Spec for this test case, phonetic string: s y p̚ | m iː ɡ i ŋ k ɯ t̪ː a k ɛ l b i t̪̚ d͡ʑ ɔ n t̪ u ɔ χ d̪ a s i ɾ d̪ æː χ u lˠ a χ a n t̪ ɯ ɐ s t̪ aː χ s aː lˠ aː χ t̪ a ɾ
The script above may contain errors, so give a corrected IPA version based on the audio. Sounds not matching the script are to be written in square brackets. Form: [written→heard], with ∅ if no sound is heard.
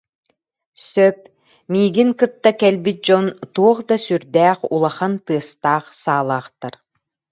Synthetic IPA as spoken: s [y→œ] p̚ | m iː ɡ i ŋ k ɯ t̪ː a k ɛ l b i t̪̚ d͡ʑ ɔ n t̪ u ɔ χ d̪ a s [i→y] ɾ d̪ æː χ u lˠ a χ a n t̪ ɯ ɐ s t̪ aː χ s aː lˠ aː χ t̪ a ɾ